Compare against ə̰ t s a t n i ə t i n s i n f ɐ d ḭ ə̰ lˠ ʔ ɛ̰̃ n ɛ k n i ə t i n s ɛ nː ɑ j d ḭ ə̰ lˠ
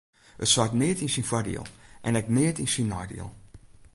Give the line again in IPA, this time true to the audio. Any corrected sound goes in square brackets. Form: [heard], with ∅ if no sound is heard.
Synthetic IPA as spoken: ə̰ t s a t n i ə t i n s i n f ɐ d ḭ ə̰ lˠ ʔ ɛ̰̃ n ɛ k n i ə t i n s [i] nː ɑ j d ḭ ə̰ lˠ